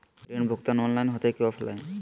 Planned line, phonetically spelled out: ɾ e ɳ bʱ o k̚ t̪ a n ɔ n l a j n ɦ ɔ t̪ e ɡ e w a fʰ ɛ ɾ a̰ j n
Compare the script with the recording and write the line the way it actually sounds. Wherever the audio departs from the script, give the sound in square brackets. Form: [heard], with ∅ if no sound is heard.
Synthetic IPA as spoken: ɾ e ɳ bʱ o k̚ t̪ a n ɔ n l a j n ɦ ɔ t̪ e [k] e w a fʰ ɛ [l] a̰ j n